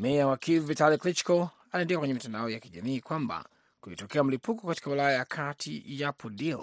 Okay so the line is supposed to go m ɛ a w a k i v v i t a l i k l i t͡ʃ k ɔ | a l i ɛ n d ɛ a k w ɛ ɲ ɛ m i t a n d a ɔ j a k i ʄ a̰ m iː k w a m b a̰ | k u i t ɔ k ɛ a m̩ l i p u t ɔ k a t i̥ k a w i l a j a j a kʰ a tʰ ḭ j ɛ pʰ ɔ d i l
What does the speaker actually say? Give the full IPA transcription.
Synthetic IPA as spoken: m ɛ a w a k i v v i t a l i k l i t͡ʃ k ɔ | a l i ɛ n d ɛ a k w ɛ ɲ ɛ m i t a n d a ɔ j a k i ʄ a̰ m iː k w a m b a̰ | k u i t ɔ k ɛ a m̩ l i p u k ɔ k a t i̥ k a w i l a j a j a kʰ a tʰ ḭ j a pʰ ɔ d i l